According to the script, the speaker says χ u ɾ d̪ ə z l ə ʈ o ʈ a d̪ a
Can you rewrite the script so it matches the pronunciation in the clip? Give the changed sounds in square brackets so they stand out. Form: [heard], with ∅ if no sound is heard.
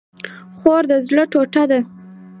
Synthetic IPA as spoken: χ [o] ɾ d̪ ə z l ə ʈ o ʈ a d̪ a